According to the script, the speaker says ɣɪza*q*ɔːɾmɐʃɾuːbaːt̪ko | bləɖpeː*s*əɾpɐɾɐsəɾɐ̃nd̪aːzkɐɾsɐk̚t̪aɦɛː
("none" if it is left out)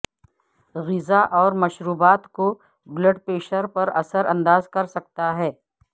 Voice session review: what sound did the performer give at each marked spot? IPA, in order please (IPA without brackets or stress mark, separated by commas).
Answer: ʔ, ʃ